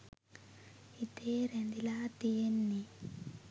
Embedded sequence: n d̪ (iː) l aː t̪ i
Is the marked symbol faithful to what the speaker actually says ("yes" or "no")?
no